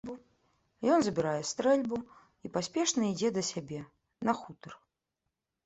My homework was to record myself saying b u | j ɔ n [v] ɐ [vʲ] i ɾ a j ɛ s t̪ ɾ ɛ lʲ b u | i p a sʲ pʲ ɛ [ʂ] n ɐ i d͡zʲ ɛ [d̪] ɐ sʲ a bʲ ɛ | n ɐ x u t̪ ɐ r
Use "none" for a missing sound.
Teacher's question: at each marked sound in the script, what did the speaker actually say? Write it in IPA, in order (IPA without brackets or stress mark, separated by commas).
z, bʲ, ʂ, d̪